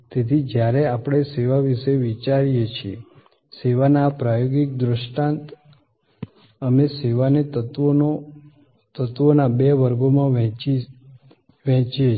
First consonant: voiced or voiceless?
voiceless